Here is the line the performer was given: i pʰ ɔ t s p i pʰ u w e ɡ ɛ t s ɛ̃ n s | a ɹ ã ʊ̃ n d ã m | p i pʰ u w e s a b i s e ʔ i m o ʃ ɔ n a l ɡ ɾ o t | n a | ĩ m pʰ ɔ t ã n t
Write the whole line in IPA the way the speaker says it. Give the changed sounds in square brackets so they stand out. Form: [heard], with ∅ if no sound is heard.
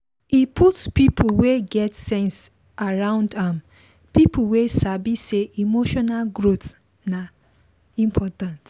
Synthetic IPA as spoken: i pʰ [u] t s p i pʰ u w e ɡ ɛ t s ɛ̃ n s | a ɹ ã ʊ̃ n d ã m | p i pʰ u w e s a b i s e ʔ i m o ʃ ɔ n a l ɡ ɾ o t | n a | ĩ m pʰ ɔ t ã n t